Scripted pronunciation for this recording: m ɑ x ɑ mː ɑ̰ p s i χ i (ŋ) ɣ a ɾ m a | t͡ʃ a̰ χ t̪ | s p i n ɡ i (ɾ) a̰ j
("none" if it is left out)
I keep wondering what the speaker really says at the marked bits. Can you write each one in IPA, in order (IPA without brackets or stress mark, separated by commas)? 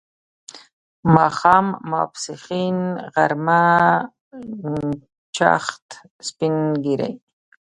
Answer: n, ɾ